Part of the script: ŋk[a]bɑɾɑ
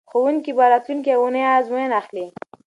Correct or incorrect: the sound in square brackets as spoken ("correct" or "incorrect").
incorrect